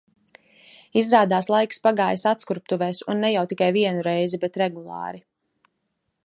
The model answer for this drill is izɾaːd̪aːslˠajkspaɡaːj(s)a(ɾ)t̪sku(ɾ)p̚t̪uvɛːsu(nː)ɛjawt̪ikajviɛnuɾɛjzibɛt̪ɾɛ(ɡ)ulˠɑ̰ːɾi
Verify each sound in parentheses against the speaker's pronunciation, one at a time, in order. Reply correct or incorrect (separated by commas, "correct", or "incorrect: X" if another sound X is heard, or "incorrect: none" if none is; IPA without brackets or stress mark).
correct, incorrect: none, correct, correct, correct